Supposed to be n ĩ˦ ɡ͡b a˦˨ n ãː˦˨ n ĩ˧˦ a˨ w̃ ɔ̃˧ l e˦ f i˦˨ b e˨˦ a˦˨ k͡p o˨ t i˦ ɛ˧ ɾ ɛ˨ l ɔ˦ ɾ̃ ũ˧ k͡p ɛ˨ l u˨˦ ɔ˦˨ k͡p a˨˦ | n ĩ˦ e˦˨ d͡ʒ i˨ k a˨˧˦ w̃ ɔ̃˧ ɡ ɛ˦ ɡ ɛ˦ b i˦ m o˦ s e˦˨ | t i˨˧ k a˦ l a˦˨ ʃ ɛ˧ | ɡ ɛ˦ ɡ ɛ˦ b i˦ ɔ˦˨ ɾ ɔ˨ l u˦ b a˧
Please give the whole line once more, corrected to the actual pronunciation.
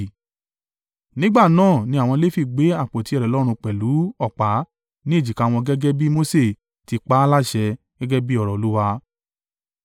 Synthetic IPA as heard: n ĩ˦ ɡ͡b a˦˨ n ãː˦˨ n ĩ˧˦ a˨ w̃ ɔ̃˧ l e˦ f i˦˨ ɡ͡b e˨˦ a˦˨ k͡p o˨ t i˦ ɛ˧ ɾ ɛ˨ l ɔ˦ ɾ̃ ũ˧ k͡p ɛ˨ l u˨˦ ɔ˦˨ k͡p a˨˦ | n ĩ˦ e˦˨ d͡ʒ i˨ k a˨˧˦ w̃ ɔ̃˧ ɡ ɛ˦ ɡ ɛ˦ b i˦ m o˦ s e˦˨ | t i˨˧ k͡p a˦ l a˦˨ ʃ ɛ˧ | ɡ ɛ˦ ɡ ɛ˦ b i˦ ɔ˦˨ ɾ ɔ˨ l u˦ w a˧